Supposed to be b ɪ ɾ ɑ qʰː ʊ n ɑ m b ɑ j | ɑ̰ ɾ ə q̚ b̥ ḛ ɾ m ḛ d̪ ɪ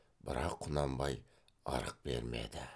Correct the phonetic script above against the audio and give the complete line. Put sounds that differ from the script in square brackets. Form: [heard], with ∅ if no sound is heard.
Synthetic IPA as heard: b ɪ ɾ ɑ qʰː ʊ n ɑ m b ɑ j | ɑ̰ ɾ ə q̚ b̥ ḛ ɾ m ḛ d̪ ɪ